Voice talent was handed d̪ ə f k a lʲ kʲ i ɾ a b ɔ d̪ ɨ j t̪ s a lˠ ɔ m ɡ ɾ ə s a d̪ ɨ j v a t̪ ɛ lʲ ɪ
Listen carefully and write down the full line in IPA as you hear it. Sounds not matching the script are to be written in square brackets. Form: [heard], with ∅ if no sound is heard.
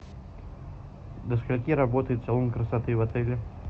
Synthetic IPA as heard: d̪ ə [s] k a lʲ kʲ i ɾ a b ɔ [t̪] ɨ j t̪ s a lˠ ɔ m [k] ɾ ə s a [t̪] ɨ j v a t̪ ɛ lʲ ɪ